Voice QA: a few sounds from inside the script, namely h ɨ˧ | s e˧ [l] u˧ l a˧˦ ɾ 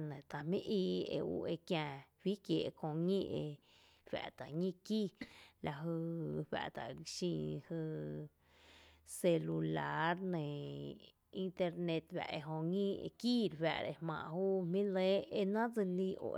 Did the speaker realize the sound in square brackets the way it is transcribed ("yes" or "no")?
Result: yes